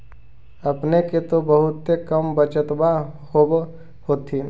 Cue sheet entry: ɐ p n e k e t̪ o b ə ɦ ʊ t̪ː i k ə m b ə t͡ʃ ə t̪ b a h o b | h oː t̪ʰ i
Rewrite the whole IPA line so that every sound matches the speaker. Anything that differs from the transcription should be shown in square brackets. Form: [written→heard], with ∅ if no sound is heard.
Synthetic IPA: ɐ p n e k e t̪ o b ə ɦ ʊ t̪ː [i→e] k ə m b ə t͡ʃ ə t̪ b a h o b | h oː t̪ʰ i